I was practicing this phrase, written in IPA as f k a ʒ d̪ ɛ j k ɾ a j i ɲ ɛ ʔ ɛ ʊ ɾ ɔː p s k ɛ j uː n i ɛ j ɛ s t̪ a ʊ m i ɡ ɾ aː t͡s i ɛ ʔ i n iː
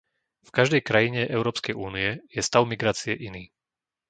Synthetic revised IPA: f k a ʒ d̪ ɛ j k ɾ a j i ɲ ɛ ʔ ɛ ʊ ɾ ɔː p s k ɛ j uː n i ɛ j ɛ s t̪ a ʊ m i ɡ ɾ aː t͡s i ɛ ʔ i n iː